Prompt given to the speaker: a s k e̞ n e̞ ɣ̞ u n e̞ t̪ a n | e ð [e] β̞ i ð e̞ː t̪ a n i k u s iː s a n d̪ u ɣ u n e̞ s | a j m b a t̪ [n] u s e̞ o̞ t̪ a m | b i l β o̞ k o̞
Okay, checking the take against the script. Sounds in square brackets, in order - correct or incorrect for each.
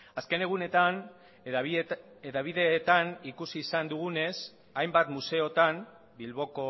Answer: incorrect: a, incorrect: m

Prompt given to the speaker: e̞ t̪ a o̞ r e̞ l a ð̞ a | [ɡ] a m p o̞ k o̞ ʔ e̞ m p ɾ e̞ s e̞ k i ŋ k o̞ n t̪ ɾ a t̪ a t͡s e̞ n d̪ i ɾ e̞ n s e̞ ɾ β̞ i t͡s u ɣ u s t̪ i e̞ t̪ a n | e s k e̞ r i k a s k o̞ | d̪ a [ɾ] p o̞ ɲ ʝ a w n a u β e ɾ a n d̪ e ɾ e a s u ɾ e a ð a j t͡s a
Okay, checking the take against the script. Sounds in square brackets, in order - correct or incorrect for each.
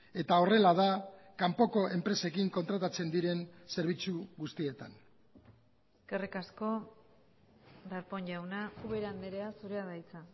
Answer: incorrect: k, correct

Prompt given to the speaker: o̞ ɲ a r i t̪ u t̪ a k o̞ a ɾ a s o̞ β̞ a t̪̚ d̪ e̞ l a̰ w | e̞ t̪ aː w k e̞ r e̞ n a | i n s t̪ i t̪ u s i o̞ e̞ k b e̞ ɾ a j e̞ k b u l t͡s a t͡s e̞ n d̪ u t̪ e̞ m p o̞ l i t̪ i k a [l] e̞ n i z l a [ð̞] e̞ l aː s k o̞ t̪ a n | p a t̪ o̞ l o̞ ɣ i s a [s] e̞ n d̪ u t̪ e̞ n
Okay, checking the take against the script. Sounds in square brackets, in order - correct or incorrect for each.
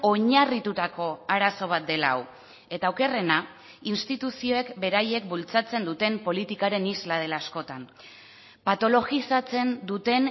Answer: incorrect: ɾ, correct, incorrect: t͡s

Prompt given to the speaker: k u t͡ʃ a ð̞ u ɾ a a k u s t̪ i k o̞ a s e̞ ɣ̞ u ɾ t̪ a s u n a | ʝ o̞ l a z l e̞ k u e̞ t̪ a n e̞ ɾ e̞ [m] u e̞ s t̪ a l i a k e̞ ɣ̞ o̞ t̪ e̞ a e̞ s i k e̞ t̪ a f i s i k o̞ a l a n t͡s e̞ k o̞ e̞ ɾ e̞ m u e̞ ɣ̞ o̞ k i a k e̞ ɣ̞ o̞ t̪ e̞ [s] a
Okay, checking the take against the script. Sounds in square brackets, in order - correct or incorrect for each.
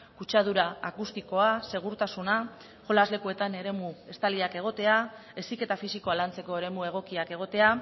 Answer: correct, incorrect: none

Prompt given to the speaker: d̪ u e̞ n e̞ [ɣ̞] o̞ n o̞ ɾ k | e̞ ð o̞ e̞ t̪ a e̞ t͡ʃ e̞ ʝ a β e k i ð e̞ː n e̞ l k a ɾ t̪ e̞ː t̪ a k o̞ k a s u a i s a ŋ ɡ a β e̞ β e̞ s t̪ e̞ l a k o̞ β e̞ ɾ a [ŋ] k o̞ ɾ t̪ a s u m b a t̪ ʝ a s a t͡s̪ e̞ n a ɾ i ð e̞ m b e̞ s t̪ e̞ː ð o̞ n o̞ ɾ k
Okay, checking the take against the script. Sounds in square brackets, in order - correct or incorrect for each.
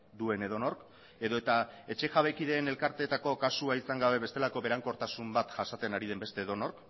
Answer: incorrect: ð̞, correct

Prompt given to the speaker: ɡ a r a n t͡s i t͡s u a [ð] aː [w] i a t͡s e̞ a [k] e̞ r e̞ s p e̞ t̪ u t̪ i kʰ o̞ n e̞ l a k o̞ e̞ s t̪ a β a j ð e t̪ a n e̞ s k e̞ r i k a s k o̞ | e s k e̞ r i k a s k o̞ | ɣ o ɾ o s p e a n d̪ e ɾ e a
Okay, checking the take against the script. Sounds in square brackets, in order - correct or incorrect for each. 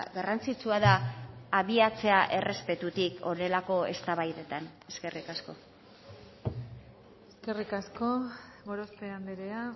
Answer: correct, incorrect: β, incorrect: ʔ

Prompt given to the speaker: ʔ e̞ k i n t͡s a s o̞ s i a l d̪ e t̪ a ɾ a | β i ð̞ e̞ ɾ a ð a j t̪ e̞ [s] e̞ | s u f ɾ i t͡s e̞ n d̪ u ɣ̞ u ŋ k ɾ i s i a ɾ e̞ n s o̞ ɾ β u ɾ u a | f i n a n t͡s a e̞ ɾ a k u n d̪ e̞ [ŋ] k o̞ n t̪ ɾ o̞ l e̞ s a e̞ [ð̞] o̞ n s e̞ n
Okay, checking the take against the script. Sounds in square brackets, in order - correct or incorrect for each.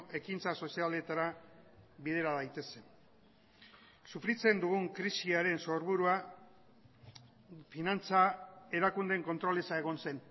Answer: correct, correct, incorrect: ɣ̞

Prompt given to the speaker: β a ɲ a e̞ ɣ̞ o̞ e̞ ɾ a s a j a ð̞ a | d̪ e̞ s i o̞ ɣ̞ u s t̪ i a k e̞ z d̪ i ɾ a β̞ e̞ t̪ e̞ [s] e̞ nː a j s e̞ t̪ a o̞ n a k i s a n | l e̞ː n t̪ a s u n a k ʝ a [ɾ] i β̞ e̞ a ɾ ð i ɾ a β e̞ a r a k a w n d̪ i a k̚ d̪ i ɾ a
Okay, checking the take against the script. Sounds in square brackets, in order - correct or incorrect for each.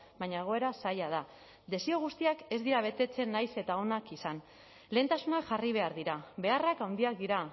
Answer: incorrect: t͡s, incorrect: r

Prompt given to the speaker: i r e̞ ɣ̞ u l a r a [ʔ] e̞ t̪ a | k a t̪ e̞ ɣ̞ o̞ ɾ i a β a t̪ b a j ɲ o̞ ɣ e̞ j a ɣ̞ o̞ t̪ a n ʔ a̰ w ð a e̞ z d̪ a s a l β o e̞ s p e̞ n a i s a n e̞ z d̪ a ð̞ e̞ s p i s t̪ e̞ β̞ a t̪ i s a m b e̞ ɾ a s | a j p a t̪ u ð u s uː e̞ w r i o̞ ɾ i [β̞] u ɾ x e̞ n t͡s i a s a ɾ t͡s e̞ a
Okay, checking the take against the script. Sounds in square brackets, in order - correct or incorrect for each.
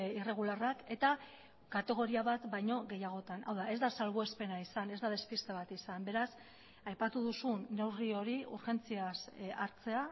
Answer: incorrect: k, incorrect: none

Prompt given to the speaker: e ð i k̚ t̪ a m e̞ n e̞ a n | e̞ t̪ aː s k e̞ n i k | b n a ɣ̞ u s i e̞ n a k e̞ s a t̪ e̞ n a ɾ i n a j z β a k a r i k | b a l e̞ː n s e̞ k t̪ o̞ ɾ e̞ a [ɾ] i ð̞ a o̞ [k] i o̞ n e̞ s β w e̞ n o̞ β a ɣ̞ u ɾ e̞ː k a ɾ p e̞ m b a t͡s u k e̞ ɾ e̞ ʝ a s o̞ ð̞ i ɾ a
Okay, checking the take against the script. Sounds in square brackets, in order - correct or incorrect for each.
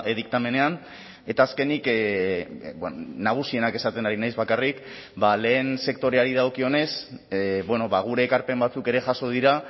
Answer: correct, correct

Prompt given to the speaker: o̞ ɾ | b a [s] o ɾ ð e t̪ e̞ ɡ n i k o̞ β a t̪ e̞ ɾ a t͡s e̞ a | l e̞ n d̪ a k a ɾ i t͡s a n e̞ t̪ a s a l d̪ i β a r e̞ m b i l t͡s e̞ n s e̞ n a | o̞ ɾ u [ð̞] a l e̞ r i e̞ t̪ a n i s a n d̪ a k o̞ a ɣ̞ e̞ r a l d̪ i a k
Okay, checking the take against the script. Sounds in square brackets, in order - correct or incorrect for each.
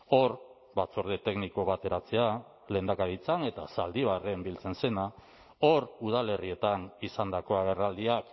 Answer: incorrect: t͡s, correct

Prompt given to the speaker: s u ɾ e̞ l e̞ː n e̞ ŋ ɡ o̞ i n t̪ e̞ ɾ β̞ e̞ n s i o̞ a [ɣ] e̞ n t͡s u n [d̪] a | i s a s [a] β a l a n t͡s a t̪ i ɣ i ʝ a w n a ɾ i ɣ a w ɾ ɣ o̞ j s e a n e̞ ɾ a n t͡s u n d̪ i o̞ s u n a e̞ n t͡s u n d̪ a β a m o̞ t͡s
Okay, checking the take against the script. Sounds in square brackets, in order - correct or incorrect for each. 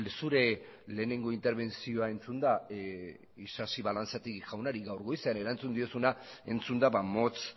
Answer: incorrect: none, correct, incorrect: i

